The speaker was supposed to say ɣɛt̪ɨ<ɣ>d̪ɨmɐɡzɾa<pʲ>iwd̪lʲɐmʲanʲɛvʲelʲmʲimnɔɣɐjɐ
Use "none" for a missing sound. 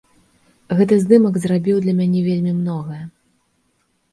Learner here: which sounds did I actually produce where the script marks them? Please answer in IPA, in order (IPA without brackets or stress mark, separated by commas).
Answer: z, bʲ